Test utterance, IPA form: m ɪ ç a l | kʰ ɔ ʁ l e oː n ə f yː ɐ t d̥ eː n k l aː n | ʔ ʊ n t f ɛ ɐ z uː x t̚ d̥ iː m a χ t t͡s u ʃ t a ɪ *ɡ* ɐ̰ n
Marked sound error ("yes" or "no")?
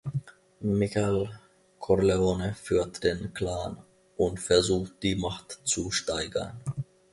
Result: no